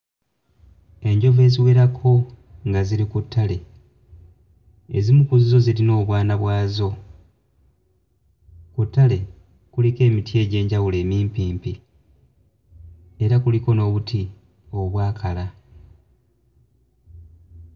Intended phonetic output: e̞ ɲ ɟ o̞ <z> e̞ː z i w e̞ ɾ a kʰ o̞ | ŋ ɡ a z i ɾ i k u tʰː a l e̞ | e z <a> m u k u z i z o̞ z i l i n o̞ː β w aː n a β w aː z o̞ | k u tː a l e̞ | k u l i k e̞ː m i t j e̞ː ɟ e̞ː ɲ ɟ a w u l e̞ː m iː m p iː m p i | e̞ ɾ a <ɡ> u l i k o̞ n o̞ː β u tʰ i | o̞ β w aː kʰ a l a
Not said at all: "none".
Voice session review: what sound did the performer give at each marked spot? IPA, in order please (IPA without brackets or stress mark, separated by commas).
v, i, k